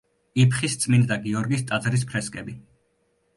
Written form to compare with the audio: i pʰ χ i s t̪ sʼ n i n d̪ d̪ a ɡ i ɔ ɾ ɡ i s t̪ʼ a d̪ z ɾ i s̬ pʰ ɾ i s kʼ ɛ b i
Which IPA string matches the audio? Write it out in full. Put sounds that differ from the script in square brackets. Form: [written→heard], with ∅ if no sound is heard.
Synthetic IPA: i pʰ χ i s t̪ sʼ [n→m] i n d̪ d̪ a ɡ i ɔ ɾ ɡ i s t̪ʼ a d̪ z ɾ i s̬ pʰ ɾ [i→ɛ] s kʼ ɛ b i